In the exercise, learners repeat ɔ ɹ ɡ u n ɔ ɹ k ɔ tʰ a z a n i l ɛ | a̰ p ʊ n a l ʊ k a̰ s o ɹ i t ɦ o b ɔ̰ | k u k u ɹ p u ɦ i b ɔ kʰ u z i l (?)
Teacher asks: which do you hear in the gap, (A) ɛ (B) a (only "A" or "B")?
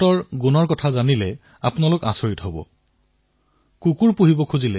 A